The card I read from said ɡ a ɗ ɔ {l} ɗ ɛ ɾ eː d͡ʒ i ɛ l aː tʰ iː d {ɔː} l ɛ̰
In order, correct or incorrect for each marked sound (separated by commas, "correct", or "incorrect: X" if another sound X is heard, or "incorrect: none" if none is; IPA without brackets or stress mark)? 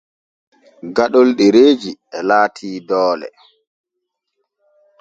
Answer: correct, correct